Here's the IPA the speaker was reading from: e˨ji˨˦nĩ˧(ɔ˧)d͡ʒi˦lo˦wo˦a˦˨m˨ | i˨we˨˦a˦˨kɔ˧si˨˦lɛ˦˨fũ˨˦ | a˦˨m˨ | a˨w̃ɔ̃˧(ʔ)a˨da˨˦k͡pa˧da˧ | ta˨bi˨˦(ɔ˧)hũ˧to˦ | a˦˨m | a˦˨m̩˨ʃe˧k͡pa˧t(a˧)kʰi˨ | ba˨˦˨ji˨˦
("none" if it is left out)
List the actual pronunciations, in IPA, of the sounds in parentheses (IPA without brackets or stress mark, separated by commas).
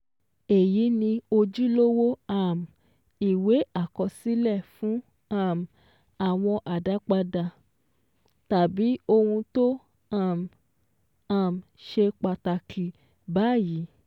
o˧, ʔ, o˧, a˧